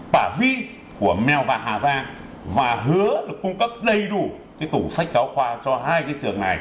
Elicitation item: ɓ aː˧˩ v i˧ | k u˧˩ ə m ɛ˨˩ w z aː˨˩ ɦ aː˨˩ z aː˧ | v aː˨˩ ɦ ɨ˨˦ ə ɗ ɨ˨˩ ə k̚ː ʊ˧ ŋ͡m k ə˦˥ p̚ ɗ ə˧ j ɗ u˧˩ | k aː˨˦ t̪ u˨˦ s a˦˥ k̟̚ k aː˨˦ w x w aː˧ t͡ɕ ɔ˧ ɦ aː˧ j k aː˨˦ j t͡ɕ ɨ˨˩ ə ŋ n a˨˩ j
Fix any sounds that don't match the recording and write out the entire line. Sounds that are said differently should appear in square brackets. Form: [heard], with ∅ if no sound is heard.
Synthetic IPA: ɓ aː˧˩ v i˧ | k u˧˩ ə m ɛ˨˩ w [v] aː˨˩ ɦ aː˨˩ z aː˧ | v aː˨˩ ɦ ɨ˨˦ ə ɗ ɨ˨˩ ə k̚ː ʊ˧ ŋ͡m k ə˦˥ p̚ ɗ ə˧ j ɗ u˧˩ | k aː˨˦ t̪ [u˧˩] s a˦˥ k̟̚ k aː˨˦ w x w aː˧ t͡ɕ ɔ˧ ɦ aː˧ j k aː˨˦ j t͡ɕ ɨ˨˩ ə ŋ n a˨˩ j